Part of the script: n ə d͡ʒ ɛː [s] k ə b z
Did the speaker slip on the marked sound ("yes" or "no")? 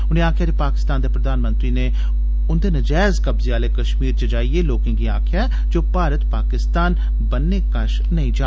yes